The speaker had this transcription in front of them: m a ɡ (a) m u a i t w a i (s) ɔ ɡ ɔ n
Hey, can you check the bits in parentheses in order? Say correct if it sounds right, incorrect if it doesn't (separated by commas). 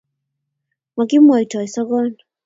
incorrect, correct